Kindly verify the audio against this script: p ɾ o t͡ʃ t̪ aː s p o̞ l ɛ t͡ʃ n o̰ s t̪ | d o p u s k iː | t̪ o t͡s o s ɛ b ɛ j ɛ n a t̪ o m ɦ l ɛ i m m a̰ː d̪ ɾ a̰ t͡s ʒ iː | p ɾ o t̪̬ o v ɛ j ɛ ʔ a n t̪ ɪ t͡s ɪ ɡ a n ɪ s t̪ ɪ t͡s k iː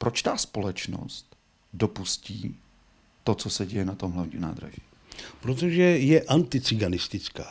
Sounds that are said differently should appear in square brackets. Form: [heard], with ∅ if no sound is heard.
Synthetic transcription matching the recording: p ɾ o t͡ʃ t̪ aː s p o̞ l ɛ t͡ʃ n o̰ s t̪ | d o p u s [c] iː | t̪ o t͡s o s ɛ [ɟ] ɛ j ɛ n a t̪ o m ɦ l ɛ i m [n] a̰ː d̪ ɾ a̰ [∅] ʒ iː | p ɾ o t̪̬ o [ʒ] ɛ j ɛ ʔ a n t̪ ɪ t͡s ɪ ɡ a n ɪ s t̪ ɪ t͡s k [aː]